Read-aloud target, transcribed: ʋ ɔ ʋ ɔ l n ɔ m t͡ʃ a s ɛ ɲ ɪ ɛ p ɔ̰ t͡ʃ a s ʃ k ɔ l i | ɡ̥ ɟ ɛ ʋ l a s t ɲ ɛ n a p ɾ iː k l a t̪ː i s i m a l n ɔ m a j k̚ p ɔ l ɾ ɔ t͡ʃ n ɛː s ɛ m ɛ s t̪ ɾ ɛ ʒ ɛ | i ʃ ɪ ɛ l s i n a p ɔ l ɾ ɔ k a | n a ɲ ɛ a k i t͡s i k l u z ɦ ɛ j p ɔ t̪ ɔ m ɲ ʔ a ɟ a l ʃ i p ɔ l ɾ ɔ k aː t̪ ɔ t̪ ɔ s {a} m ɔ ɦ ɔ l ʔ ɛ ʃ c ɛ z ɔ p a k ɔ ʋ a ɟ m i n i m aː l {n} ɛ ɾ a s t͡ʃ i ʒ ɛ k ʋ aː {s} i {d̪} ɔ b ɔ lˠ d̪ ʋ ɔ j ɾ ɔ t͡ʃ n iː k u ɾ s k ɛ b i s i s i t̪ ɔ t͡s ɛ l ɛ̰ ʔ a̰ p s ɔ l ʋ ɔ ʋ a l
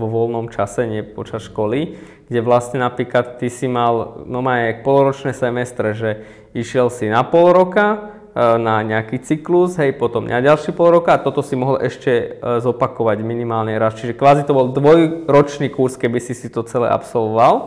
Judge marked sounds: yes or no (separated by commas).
no, no, no, no